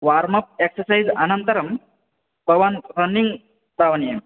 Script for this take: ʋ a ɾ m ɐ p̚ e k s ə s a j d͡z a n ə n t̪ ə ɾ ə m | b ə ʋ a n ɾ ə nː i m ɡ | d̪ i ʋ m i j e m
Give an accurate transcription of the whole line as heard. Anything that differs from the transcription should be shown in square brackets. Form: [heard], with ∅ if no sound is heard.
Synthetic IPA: ʋ a ɾ m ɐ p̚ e k s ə s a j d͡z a n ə n t̪ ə ɾ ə m | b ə ʋ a n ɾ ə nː i [ŋ] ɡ | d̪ [a] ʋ [n] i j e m